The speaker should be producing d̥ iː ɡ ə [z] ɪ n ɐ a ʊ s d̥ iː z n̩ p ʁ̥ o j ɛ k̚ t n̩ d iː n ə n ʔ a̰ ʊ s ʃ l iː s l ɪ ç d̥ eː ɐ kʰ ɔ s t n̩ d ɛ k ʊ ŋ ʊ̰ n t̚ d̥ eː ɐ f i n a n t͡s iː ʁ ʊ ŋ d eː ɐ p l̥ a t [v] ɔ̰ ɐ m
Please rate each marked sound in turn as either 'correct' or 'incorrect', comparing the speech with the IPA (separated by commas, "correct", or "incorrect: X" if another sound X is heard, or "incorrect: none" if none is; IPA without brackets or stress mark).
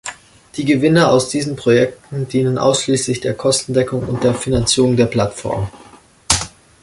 incorrect: v, incorrect: f